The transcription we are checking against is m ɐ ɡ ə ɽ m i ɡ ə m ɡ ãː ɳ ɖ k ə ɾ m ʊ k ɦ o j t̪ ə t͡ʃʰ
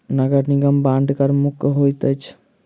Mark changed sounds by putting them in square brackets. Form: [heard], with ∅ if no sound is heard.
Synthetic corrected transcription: [n] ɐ ɡ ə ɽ [n] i ɡ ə m [b] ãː ɳ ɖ k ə ɾ m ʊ k ɦ o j t̪ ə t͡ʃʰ